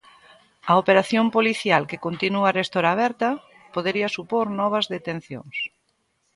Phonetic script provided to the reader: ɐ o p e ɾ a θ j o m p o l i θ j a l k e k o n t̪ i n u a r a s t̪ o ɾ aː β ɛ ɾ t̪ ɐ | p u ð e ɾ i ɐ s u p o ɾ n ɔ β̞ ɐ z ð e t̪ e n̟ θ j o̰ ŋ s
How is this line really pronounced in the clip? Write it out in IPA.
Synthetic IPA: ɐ o p e ɾ a θ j o m p o l i θ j a l k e k o n t̪ i n u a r e s t̪ o ɾ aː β ɛ ɾ t̪ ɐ | p o ð e ɾ i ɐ s u p o ɾ n ɔ β̞ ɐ z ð e t̪ e n̟ θ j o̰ ŋ s

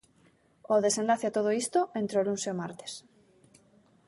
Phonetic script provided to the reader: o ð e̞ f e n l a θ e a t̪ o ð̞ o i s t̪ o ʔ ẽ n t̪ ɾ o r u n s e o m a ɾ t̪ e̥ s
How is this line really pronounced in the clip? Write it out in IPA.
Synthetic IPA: o ð e̞ s e n l a θ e a t̪ o ð̞ o i s t̪ o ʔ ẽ n t̪ ɾ o l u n s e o m a ɾ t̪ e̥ s

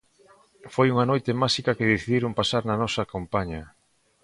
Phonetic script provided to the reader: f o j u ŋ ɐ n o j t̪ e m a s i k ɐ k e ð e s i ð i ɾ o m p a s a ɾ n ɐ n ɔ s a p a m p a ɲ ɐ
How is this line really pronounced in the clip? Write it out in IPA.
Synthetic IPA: f o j u ŋ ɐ n o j t̪ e m a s i k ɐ k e ð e θ i ð i ɾ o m p a s a ɾ n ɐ n ɔ s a k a m p a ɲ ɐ

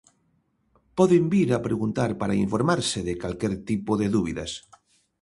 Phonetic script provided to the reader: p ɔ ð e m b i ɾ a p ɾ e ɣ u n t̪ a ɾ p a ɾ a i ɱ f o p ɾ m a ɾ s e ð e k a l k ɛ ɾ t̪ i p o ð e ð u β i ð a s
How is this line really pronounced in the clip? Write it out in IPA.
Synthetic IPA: p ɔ ð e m b i ɾ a p ɾ e ɣ u n t̪ a ɾ p a ɾ a i ɱ f o ɾ m a ɾ s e ð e k a l k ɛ ɾ t̪ i p o ð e ð u β i ð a s

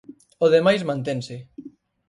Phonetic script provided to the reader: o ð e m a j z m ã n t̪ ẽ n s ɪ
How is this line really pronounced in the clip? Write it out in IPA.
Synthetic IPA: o ð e m a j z m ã n t̪ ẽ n s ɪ

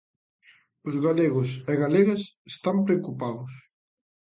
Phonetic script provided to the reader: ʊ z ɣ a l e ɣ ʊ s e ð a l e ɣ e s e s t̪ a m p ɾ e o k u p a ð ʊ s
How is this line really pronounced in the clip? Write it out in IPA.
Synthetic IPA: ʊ z ɣ a l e ɣ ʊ s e ɣ a l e ɣ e s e s t̪ a m p ɾ e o k u p a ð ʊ s

